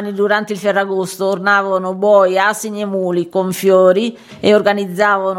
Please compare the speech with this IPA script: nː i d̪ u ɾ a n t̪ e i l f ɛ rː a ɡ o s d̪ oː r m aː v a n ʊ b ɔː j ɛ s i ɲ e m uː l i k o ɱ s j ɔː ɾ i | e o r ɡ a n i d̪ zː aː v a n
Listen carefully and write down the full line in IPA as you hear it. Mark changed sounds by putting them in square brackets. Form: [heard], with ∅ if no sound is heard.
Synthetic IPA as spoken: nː i d̪ u ɾ a n t̪ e i l f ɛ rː a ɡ o s [t̪] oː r [n] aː v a n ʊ b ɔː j [a] s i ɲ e m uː l i k o ɱ [f] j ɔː ɾ i | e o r ɡ a n i d̪ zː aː v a n